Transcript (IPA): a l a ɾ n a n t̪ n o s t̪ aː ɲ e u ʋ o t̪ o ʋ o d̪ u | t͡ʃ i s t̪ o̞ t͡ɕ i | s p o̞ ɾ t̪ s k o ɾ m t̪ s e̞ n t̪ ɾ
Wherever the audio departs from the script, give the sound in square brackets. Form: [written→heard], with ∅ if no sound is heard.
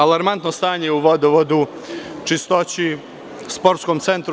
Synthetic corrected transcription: a l a ɾ [n→m] a n t̪ n o s t̪ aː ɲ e u ʋ o [t̪→d̪] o ʋ o d̪ u | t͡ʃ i s t̪ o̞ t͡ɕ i | s p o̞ ɾ t̪ s k o [ɾ→∅] m t̪ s e̞ n t̪ ɾ